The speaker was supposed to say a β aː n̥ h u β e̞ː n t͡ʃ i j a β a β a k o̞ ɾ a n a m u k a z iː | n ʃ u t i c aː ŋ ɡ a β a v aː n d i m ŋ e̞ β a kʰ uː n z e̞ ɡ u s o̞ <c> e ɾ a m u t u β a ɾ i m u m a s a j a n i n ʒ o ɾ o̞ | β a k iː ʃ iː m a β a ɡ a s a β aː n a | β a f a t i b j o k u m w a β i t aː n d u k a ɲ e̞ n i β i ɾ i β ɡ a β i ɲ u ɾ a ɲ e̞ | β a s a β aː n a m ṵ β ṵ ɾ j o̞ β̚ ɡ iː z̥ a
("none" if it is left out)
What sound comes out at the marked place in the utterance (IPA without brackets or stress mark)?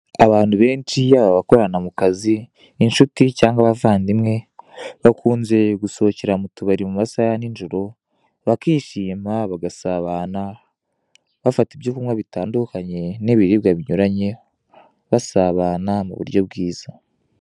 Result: c